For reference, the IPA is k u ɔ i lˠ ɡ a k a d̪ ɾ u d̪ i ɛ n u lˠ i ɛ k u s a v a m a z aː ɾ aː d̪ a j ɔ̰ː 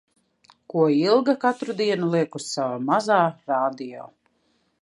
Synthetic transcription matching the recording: k u ɔ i lˠ ɡ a k a t̪ ɾ u d̪ i ɛ n u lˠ i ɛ k u s a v a m a z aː ɾ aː d̪ i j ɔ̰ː